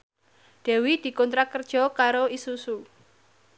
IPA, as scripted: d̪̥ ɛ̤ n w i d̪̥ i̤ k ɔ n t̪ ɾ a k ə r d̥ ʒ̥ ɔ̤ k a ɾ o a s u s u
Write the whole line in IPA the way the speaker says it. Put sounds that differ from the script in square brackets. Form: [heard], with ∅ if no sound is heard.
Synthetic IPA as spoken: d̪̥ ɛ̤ [∅] w i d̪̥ i̤ k ɔ n t̪ ɾ a k ə r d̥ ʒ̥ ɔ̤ k a ɾ o [i] s u s u